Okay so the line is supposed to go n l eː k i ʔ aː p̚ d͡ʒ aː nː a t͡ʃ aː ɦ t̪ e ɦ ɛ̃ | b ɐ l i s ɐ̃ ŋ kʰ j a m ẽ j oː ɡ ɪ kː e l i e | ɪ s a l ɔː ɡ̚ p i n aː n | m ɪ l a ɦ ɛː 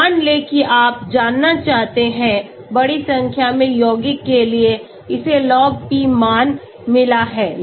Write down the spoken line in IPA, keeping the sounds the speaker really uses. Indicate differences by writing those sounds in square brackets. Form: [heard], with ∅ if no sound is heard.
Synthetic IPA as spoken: n l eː k i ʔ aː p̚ d͡ʒ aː nː a t͡ʃ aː ɦ t̪ e ɦ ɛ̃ | b ɐ [ɽ] i s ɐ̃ ŋ kʰ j a m ẽ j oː ɡ ɪ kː e l i e | ɪ s [e] l ɔː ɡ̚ p i [m] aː n | m ɪ l a ɦ ɛː